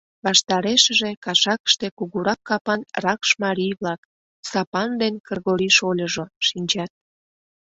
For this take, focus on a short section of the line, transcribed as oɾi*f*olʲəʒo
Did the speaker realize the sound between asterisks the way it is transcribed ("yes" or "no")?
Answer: no